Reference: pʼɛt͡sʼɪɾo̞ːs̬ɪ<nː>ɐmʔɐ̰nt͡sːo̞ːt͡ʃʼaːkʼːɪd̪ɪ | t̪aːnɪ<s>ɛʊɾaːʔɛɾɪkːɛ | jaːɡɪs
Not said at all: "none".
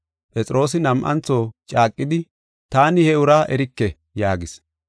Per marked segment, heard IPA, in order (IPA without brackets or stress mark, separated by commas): n, h